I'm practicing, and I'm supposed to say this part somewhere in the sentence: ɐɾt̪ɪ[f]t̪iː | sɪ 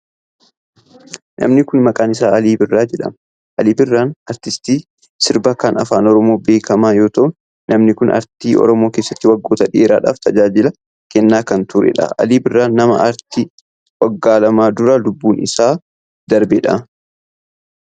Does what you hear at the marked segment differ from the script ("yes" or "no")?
yes